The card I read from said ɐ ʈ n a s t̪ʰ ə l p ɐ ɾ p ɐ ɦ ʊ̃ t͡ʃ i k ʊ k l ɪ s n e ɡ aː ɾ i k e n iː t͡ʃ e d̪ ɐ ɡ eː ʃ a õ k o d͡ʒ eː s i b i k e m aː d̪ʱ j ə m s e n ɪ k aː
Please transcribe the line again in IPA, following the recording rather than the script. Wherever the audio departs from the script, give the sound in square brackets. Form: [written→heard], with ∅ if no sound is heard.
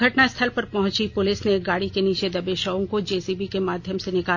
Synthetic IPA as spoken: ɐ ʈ n a s t̪ʰ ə l p ɐ ɾ p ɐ ɦ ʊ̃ t͡ʃ i [k→p] ʊ [k→∅] l ɪ s n e ɡ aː [ɾ→ɽ] i k e n iː t͡ʃ e d̪ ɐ [ɡ→b] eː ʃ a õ k o d͡ʒ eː s i b i k e m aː d̪ʱ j ə m s e n ɪ k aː